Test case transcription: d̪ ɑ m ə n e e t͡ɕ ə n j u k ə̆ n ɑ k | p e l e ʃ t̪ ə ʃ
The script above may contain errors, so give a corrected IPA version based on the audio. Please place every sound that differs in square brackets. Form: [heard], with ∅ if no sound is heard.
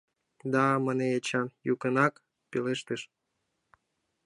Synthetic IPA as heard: d̪ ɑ m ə n e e t͡ɕ [ɑ] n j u k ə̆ n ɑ k | p e l e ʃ t̪ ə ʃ